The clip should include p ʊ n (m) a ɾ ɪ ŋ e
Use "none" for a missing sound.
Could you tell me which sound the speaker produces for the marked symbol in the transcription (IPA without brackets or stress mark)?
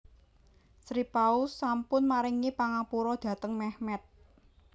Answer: m